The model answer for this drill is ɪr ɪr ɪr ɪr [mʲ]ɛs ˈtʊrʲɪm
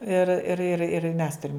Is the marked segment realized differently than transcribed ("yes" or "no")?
no